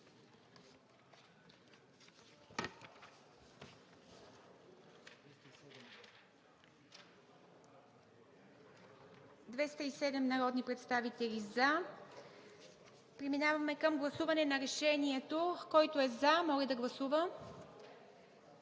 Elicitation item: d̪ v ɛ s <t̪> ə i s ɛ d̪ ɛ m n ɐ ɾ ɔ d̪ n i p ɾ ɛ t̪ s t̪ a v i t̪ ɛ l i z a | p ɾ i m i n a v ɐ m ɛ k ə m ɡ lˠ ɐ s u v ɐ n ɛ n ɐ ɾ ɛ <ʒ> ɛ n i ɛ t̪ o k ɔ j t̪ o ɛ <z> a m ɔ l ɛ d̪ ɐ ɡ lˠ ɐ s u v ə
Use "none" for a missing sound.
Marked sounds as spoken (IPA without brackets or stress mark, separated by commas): t̪, ʃ, z